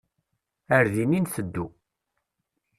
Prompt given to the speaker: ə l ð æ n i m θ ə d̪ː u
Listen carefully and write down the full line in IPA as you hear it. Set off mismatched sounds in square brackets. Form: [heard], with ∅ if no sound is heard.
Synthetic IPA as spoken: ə [ɾ] ð [i] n i [n] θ ə d̪ː u